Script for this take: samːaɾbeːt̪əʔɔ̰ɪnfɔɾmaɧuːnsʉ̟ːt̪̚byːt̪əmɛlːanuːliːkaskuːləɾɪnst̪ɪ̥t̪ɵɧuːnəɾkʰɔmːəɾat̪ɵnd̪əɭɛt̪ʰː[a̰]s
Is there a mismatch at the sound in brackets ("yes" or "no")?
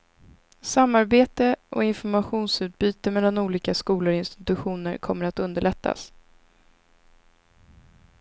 no